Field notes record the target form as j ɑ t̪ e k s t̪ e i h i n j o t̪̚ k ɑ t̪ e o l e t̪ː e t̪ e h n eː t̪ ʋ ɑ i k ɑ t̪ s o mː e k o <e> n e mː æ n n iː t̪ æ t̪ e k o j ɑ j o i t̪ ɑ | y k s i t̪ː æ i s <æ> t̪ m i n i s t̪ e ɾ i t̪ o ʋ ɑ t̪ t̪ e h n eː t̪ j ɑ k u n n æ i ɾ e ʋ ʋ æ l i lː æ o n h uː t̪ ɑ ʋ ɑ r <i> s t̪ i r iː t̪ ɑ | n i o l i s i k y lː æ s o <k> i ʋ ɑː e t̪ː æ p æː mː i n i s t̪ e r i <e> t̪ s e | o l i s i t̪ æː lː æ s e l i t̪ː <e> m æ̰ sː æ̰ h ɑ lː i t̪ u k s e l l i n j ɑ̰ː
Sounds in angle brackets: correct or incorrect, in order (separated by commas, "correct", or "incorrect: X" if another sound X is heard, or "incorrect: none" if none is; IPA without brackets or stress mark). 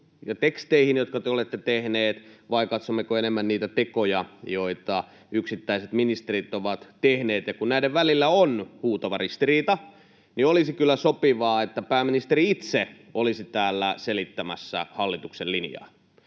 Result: correct, incorrect: e, correct, incorrect: p, incorrect: i, incorrect: æ